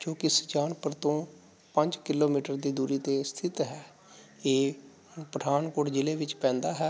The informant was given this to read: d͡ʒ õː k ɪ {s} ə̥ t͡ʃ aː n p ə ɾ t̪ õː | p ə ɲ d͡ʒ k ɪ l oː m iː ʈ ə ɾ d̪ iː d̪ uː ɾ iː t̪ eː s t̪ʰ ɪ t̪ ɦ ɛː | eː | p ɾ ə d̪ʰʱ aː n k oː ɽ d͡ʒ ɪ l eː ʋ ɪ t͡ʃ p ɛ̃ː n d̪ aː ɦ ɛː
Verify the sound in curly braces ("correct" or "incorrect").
correct